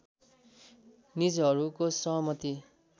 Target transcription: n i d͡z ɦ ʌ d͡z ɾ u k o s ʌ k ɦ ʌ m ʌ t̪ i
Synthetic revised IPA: n i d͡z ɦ ʌ ɾ u k o s ʌ ɦ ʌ m ʌ t̪ i